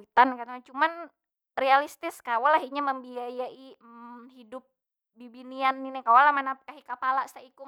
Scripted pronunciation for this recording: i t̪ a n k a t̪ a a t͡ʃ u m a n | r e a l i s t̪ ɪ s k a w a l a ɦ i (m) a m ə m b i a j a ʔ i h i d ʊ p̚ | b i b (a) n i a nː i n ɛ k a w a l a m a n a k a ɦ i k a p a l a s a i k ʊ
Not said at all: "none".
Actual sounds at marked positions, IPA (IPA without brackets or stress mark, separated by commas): ɲ, i